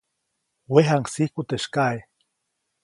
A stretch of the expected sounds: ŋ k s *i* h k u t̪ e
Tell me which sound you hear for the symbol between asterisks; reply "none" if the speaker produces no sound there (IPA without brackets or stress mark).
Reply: i